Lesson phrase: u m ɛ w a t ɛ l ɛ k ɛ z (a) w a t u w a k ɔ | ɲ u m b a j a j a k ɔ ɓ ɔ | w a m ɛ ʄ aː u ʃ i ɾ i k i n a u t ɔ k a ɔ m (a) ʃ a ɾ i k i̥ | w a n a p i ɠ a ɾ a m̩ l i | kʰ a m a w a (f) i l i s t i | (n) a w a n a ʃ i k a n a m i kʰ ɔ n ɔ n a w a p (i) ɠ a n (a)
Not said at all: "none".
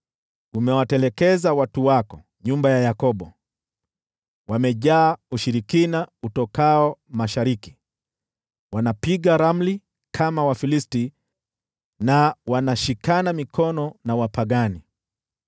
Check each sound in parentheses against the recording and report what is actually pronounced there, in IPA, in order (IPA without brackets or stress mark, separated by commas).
a, a, f, n, a, i